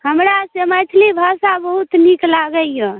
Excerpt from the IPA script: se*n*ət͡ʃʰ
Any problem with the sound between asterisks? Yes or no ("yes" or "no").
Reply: yes